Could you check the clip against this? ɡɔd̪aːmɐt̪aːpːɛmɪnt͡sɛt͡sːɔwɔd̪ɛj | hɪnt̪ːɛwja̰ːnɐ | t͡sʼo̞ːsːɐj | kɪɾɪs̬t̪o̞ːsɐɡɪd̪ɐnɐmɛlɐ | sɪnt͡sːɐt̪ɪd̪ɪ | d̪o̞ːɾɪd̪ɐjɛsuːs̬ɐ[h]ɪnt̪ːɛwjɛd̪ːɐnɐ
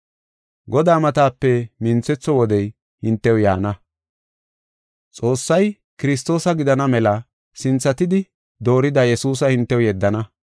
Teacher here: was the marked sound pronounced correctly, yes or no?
yes